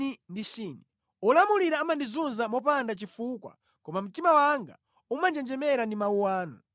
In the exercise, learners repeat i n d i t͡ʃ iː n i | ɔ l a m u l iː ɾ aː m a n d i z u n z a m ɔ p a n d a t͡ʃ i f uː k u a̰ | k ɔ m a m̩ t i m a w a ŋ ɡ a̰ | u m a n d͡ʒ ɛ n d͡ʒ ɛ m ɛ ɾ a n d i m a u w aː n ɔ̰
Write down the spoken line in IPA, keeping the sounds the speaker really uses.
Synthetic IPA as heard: i n d i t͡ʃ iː n i | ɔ l a m u l i ɾ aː m a n d i z u n z a m ɔ p a n d a t͡ʃ i f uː k w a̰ | k ɔ m a m̩ t i m a w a ŋ ɡ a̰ | u m a n d͡ʒ ɛ n d͡ʒ ɛ m ɛ ɾ a n d i m a u w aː n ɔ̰